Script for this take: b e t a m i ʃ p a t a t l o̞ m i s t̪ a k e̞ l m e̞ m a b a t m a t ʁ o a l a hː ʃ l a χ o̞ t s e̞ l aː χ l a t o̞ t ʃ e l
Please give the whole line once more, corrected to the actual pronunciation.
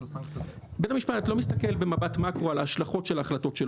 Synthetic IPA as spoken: b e t a m i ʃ p a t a t l o̞ m i s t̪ a k e̞ l b e̞ m a b a t m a k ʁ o a l a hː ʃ l a χ o̞ t ʃ e̞ l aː χ l a t o̞ t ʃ e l